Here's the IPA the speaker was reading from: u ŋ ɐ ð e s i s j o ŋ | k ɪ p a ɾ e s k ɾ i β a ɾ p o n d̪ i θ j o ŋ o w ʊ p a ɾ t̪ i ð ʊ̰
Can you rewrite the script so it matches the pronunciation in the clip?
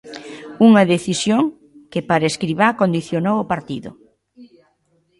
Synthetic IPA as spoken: u ŋ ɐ ð e θ i s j o ŋ | k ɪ p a ɾ e s k ɾ i β a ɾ k o n d̪ i θ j o n o w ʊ p a ɾ t̪ i ð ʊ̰